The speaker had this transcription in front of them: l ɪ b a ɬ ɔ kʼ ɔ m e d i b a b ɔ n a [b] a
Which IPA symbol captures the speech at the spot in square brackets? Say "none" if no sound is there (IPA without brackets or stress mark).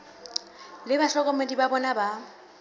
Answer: b